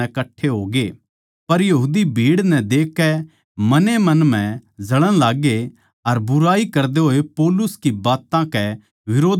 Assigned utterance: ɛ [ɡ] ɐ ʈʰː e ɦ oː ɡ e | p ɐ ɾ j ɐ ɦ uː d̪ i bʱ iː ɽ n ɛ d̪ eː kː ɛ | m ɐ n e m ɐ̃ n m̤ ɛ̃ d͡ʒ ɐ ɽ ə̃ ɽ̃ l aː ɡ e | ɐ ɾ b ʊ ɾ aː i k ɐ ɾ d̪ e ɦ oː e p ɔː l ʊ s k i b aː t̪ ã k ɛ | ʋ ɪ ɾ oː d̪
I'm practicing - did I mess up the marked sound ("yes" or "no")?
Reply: yes